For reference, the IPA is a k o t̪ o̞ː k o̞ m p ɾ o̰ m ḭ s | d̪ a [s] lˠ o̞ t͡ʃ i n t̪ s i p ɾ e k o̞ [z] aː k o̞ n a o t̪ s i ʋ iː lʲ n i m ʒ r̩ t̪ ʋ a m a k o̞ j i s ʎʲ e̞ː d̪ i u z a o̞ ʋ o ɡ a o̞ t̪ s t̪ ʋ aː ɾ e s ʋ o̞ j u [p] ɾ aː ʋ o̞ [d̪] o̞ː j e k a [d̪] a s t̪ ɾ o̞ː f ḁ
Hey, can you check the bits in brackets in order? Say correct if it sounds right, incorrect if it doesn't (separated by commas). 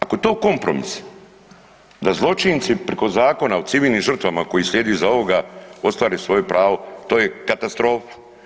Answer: incorrect, correct, correct, incorrect, incorrect